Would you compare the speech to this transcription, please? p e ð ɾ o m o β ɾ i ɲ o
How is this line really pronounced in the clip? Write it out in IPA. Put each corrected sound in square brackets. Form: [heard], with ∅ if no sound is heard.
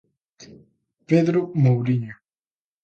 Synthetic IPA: p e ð ɾ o m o [w] ɾ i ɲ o